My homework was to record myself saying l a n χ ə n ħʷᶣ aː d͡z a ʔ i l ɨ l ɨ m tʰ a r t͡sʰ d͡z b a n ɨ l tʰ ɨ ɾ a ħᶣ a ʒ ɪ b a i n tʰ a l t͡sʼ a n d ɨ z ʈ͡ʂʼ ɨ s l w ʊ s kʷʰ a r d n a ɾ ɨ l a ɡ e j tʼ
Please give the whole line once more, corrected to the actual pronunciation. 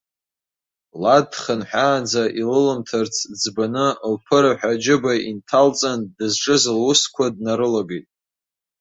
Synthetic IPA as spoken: l a d χ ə n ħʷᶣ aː d͡z a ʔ i l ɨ l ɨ m tʰ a r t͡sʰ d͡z b a n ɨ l pʰ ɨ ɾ a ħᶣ a d͡ʒ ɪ b a i n tʰ a l t͡sʼ a n d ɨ z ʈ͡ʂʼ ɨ z l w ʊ s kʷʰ a d n a ɾ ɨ l a ɡ e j tʼ